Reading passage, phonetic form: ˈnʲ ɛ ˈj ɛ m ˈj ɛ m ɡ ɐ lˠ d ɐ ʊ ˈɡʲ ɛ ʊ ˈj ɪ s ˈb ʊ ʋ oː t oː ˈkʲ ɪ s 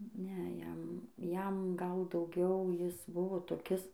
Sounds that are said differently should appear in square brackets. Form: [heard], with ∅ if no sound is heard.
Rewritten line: ˈnʲ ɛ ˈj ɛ m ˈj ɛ m ɡ ɐ lˠ d ɐ ʊ ˈɡʲ ɛ ʊ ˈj ɪ s ˈb ʊ ʋ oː t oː ˈkʲ ɪ s